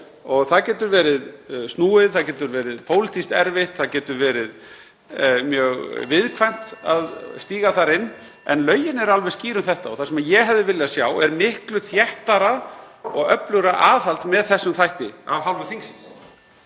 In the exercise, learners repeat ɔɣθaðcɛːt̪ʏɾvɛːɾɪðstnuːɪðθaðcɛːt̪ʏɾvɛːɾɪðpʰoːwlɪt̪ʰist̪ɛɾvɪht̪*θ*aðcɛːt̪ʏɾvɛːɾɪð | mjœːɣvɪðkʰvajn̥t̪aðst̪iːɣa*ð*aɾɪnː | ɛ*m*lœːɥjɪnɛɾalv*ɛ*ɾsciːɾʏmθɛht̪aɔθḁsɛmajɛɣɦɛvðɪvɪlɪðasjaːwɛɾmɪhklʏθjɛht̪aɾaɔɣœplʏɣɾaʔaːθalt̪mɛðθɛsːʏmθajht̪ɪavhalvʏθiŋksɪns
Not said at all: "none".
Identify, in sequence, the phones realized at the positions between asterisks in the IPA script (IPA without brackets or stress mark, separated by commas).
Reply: θ, θ, n, ɛ